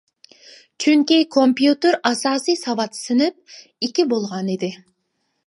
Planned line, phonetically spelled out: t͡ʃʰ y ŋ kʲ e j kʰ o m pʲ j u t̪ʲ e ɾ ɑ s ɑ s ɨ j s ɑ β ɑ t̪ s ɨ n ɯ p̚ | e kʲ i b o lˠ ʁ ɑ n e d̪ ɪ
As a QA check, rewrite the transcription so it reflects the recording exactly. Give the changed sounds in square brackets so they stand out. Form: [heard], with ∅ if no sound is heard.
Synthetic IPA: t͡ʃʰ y ŋ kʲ e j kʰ o m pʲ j u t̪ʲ e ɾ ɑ s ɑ s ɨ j s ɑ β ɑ t̪ s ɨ n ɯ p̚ | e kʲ i b o lˠ ʁ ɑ n e d̪ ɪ